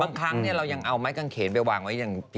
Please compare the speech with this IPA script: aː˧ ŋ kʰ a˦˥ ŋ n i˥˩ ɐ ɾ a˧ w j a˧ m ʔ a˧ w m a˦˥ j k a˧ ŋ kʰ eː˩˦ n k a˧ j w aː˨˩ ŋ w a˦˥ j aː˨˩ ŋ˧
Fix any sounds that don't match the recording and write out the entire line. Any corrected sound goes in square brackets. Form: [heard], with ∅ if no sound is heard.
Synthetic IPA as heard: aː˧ ŋ kʰ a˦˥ ŋ n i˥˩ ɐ ɾ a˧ w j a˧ [ŋ] ʔ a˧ w m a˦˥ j k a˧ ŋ kʰ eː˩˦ n [p] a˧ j w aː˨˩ ŋ w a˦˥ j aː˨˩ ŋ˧